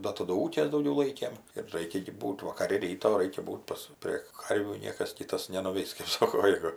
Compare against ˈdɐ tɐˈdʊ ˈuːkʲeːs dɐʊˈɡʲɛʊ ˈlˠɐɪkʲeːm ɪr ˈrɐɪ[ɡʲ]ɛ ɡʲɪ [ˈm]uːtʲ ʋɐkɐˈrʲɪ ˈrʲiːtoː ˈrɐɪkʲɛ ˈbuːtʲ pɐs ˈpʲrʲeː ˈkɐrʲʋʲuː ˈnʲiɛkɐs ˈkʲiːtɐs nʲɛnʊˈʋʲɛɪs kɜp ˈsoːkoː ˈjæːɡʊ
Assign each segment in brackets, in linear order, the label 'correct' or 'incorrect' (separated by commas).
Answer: incorrect, incorrect